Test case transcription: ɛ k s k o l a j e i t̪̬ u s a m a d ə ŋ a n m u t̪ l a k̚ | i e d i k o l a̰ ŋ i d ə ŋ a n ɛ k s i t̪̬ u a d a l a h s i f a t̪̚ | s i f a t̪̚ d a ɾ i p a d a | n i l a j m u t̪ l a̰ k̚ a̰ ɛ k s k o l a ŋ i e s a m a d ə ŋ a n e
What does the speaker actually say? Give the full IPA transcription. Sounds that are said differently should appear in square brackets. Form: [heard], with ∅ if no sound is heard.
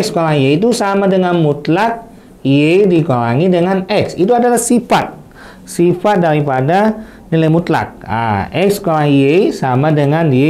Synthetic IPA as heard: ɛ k s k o l a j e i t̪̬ u s a m a d ə ŋ a n m u t̪ l a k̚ | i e d i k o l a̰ ŋ i d ə ŋ a n ɛ k s i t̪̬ u a d a l a h s i f a t̪̚ | s i f a t̪̚ d a ɾ i p a d a | n i l a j m u t̪ l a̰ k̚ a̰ ɛ k s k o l a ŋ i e s a m a d ə ŋ a n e